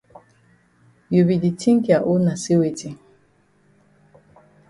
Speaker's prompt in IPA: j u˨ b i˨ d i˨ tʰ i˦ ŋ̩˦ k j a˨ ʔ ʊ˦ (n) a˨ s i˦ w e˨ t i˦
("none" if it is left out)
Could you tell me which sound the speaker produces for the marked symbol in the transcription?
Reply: n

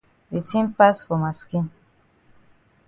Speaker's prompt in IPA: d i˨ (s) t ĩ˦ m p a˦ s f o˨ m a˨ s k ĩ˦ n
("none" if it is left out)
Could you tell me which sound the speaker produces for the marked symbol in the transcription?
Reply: none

